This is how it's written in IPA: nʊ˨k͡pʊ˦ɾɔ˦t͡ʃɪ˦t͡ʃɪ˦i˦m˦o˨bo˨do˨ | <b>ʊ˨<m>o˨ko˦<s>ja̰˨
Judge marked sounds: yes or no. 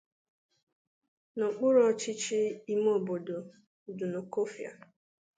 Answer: no, no, no

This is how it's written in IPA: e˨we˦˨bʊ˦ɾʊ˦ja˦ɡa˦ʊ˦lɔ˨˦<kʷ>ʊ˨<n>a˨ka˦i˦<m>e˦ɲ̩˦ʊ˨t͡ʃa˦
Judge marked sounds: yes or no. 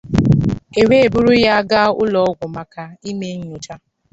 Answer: no, no, yes

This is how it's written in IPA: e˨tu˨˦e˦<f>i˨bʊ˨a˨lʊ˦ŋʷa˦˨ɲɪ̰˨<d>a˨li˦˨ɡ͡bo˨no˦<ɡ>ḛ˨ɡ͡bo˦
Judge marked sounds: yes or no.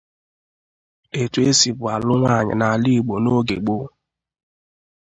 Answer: no, no, yes

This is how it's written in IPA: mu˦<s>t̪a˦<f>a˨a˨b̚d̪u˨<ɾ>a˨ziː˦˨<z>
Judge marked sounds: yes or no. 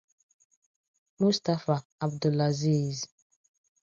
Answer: yes, yes, no, yes

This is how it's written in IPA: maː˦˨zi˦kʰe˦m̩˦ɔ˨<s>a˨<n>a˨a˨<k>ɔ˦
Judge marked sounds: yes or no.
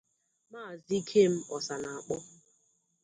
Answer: yes, yes, no

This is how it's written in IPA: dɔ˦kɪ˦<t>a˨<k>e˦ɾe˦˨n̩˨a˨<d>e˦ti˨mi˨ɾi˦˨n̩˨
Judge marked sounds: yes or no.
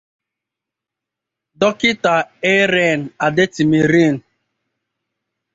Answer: yes, no, yes

